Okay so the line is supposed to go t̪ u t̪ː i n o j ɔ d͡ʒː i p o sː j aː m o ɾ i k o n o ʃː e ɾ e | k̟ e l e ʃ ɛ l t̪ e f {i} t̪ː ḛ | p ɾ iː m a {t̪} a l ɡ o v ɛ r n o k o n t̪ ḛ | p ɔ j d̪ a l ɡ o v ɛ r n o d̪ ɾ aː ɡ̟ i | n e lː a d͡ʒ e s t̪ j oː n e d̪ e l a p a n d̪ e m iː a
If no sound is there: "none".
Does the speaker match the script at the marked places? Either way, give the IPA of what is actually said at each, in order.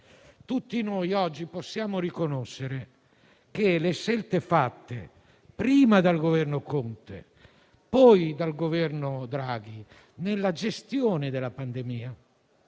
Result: a, d̪

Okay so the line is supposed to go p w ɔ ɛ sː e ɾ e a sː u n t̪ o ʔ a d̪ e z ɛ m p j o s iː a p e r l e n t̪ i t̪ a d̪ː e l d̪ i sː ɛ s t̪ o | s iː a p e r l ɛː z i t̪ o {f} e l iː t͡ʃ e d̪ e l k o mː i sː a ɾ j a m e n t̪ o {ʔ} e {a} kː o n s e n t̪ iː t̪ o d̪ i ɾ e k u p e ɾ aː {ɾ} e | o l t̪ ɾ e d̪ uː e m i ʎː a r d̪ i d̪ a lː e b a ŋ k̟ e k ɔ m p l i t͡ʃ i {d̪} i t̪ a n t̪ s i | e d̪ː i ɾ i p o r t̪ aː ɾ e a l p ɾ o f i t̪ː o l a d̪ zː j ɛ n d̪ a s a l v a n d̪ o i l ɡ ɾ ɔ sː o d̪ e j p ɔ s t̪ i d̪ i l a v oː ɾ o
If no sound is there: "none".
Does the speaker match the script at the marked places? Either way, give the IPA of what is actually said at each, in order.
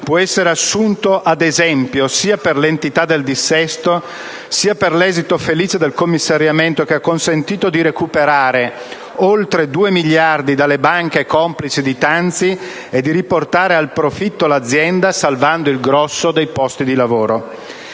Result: f, k, a, ɾ, d̪

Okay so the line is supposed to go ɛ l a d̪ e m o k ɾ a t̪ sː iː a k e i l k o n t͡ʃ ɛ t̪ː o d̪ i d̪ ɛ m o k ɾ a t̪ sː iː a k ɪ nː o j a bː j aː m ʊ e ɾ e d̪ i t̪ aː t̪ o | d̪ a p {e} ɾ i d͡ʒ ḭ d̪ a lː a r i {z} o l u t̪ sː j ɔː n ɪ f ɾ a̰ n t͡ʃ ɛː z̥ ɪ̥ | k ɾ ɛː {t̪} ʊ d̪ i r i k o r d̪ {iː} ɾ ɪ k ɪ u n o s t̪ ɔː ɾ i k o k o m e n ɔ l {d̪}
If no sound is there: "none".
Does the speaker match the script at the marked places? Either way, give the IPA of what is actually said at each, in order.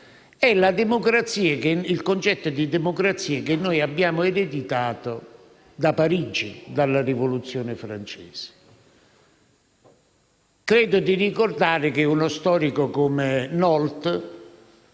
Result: a, v, d̪, aː, t̪

